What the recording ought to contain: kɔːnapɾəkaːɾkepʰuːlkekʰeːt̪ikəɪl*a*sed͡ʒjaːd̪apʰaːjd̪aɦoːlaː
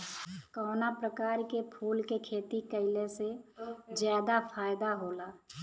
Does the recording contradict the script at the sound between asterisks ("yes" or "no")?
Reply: yes